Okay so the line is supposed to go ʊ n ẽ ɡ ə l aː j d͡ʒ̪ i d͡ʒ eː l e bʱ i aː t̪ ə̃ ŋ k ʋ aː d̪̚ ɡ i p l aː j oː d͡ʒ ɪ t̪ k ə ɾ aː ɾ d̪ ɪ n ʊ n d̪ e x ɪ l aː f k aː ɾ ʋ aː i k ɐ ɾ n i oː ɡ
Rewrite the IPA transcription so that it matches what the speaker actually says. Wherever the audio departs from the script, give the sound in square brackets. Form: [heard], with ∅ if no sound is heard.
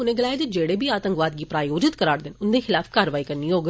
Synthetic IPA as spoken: ʊ n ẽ ɡ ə l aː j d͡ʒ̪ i d͡ʒ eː [ɽ] e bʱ i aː t̪ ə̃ ŋ k ʋ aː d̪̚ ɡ i p [ɾ] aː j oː d͡ʒ ɪ t̪ k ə ɾ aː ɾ d̪ ɪ n ʊ n d̪ e x ɪ l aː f k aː ɾ ʋ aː i k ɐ ɾ n i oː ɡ